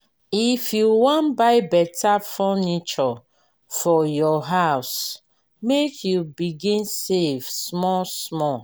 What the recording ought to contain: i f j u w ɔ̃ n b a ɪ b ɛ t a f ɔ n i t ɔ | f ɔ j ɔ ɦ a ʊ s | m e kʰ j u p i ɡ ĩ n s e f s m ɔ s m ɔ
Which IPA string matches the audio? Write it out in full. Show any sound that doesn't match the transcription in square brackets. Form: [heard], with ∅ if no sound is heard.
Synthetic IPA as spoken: i f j u w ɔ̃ n b a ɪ b ɛ t a f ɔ n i [t͡ʃ] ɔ | f ɔ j ɔ ɦ a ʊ s | m e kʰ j u [b] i ɡ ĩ n s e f s m ɔ s m ɔ

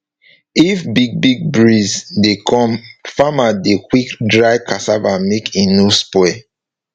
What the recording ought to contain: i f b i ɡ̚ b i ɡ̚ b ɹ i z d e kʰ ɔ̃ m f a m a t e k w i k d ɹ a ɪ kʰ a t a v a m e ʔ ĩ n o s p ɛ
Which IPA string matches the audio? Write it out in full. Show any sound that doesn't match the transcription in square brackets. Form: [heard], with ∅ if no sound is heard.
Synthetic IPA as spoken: i f b i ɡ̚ b i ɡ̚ b ɹ i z d e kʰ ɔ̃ m f a m a [d] e k w i k d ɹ a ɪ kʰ a [s] a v a m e [k] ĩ n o s p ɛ

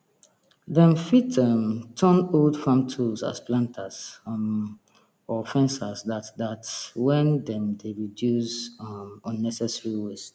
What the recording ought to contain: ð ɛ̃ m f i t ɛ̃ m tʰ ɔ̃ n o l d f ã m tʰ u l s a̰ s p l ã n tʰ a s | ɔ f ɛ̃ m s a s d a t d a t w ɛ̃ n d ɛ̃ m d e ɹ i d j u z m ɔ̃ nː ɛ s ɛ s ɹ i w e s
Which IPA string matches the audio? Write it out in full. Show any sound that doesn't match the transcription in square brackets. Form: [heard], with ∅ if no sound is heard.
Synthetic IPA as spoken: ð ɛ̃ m f i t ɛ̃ m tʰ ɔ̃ n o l d f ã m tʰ u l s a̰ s p l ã n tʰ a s | ɔ f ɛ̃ [n] s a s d a t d a t w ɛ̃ n d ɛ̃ m d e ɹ i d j u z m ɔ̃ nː ɛ s ɛ s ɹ i w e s

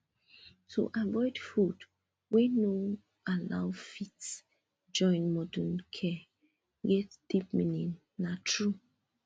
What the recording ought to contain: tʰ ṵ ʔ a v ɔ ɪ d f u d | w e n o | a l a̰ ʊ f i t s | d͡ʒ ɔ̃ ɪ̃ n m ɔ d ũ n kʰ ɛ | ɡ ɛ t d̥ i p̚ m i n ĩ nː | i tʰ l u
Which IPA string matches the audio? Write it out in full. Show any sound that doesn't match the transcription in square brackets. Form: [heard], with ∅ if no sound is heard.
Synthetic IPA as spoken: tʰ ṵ ʔ a v ɔ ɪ d f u d | w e n o | a l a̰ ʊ f i t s | d͡ʒ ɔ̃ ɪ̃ n m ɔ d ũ n kʰ ɛ | ɡ ɛ t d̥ i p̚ m i n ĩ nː | [a] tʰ [ɹ] u

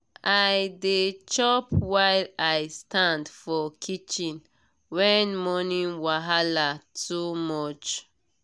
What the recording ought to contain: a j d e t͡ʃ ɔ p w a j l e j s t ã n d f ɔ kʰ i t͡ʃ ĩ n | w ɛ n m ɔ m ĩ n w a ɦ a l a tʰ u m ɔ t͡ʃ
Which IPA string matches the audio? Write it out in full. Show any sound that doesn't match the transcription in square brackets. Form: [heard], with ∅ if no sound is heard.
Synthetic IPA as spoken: a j d e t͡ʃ ɔ p w a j l [a] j s t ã n d f ɔ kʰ i t͡ʃ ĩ n | w ɛ n m ɔ [n] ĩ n w a ɦ a l a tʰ u m ɔ t͡ʃ

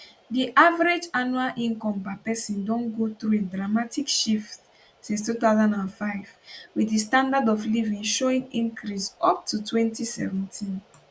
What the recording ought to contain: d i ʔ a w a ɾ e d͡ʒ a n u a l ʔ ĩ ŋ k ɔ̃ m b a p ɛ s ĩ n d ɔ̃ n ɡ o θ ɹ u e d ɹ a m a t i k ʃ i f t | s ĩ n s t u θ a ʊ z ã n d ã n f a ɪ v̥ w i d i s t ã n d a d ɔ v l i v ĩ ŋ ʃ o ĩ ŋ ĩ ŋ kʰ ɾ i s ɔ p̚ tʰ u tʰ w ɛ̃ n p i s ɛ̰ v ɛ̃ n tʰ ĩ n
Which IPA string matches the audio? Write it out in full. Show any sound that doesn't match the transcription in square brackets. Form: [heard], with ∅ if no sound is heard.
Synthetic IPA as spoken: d i ʔ a [v] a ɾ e d͡ʒ a n u a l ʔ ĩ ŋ k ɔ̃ m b a p ɛ s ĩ n d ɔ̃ n ɡ o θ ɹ u e d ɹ a m a t i k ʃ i f t | s ĩ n s t u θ a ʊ z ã n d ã n f a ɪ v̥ w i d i s t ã n d a d ɔ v l i v ĩ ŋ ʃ o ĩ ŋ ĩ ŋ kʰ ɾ i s ɔ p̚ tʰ u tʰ w ɛ̃ n [t] i s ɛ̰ v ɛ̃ n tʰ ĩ n

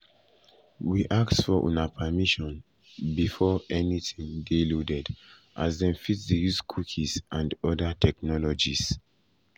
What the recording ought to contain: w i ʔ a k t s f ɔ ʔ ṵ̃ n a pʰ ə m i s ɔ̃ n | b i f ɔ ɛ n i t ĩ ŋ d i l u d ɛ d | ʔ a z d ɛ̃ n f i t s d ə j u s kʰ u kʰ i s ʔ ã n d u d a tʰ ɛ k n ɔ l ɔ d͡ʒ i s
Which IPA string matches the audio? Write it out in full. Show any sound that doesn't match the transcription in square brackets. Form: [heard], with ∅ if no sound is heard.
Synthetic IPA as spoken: w i ʔ a k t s f ɔ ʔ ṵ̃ n a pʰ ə m i [ʃ] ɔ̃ n | b i f ɔ ɛ n i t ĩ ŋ d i l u d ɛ d | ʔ a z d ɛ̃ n f i t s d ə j u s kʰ u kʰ i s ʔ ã n d [ɔ] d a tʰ ɛ k n ɔ l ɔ d͡ʒ i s

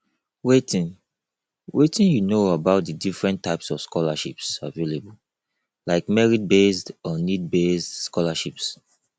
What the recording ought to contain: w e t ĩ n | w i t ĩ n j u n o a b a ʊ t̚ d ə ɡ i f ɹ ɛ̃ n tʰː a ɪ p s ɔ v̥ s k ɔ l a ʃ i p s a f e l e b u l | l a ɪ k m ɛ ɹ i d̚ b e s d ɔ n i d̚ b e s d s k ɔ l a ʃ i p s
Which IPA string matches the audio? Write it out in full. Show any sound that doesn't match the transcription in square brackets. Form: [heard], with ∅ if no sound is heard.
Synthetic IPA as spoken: w e t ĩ n | w [e] t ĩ n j u n o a b a ʊ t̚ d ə [d] i f ɹ ɛ̃ n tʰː a ɪ p s ɔ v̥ s k ɔ l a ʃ i p s a [v] e l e b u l | l a ɪ k m ɛ ɹ i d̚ b e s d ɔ n i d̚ b e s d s k ɔ l a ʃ i p s

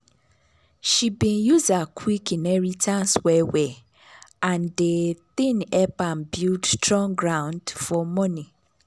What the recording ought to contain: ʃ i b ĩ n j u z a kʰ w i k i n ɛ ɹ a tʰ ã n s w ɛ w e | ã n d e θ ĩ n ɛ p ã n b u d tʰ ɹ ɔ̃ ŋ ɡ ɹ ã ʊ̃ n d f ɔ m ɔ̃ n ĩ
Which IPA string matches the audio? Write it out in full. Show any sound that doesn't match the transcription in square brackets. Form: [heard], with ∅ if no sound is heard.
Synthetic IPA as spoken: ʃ i b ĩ n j u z a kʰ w i k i n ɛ ɹ [i] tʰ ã n s w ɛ w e | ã n d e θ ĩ n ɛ p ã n b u d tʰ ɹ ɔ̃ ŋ ɡ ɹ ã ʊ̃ n d f ɔ m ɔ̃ n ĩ

